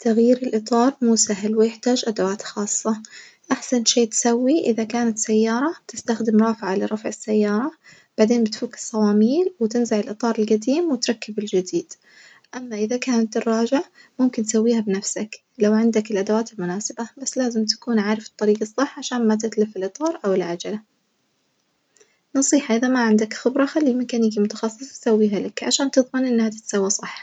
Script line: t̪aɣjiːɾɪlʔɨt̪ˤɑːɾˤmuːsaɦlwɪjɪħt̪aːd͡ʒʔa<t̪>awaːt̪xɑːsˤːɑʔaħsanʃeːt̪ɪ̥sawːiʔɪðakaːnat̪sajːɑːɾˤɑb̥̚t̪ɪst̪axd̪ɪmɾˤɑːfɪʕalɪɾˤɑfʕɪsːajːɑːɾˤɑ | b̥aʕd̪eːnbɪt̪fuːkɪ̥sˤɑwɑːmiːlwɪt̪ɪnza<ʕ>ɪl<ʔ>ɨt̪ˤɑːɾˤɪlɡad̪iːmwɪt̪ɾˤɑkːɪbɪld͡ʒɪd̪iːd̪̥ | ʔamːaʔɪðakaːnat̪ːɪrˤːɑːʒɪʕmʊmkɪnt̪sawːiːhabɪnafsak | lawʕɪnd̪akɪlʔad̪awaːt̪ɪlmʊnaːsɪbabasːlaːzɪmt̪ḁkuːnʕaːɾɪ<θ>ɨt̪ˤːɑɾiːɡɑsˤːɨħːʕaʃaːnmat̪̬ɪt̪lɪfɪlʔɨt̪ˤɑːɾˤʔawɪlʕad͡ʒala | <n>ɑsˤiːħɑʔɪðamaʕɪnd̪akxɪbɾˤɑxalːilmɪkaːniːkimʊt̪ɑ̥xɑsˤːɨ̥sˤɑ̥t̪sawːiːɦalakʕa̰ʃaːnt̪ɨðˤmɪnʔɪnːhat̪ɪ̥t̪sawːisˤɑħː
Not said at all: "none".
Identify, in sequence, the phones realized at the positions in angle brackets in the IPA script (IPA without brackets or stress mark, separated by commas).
d̪, ʕ, ʔ, f, n